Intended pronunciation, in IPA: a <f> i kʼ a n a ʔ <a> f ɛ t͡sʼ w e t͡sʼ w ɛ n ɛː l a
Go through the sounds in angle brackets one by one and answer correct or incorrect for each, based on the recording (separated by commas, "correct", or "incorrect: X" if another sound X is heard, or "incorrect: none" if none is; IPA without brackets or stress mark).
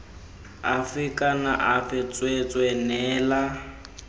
correct, correct